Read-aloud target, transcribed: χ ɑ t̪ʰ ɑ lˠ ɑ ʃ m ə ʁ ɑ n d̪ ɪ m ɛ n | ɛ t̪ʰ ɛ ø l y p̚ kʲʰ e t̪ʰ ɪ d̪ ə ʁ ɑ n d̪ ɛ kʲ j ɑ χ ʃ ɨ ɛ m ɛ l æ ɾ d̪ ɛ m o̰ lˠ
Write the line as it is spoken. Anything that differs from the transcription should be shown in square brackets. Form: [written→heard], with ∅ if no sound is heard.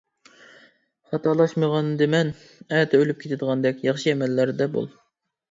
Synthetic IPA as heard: χ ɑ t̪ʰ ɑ lˠ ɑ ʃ m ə ʁ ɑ n d̪ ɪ m ɛ n | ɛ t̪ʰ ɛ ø l y p̚ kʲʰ e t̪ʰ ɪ d̪ ə ʁ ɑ n d̪ ɛ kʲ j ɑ χ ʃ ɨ ɛ m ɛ [l→lː] æ ɾ d̪ ɛ [m→b] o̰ lˠ